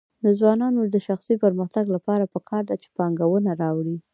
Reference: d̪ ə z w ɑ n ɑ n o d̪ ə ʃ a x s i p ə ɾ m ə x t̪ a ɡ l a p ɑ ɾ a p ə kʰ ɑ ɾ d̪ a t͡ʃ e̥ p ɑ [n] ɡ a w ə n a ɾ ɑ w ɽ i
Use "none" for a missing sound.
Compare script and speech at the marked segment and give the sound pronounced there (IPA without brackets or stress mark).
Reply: ŋ